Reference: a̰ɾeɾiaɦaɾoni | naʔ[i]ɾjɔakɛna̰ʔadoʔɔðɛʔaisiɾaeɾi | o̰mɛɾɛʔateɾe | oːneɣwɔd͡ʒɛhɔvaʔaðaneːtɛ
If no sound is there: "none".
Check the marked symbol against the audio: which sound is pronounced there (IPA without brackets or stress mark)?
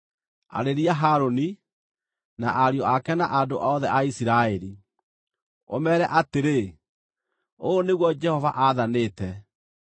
a